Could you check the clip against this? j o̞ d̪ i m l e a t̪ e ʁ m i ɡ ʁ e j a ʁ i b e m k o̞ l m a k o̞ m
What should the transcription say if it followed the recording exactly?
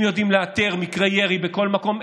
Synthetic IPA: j o̞ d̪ i m l e a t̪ e ʁ m i k ʁ e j e ʁ i b e k o̞ l m a k o̞ m